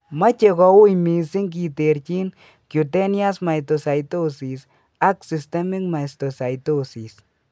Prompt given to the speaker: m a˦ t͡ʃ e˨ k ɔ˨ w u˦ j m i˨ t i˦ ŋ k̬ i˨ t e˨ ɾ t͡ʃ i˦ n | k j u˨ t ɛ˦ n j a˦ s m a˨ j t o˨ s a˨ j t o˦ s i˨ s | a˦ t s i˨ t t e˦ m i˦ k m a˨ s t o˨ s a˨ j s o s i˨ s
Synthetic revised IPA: m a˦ t͡ʃ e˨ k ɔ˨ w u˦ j m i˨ s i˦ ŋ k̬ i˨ t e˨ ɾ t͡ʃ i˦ n | k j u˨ t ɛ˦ n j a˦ s m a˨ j t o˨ s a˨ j t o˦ s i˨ s | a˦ k s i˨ s t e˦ m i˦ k m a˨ s t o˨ s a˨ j t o s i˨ s